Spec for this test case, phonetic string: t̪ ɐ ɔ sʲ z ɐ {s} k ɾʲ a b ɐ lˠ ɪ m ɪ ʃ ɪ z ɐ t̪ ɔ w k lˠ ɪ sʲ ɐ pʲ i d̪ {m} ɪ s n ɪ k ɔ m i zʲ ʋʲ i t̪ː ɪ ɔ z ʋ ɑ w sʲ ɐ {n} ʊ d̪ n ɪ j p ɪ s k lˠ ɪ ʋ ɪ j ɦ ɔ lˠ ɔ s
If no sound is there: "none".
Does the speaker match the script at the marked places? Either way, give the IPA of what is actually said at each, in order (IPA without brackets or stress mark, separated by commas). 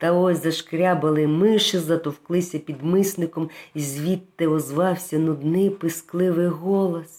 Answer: ʃ, m, n